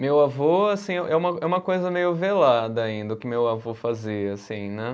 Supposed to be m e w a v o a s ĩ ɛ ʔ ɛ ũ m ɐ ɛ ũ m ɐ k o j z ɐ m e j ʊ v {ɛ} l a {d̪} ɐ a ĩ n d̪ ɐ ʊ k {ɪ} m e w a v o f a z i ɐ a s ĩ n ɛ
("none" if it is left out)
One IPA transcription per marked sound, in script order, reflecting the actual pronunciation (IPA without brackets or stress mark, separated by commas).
e, d̪, ɪ